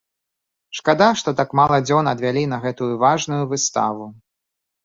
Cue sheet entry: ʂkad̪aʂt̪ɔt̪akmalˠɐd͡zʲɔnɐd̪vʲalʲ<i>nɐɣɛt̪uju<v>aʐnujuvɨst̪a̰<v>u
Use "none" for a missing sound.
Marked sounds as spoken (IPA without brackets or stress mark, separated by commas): i, v, v